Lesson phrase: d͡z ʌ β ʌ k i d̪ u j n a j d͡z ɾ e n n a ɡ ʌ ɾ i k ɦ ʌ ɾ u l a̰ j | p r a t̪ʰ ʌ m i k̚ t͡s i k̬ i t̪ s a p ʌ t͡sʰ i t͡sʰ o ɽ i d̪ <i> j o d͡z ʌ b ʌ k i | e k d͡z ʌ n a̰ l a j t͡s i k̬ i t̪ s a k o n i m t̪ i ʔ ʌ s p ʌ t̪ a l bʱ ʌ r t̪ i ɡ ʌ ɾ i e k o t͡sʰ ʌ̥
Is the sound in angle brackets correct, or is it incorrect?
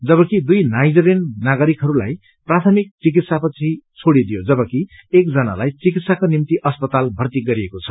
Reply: correct